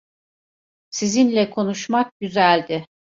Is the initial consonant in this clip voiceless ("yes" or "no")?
yes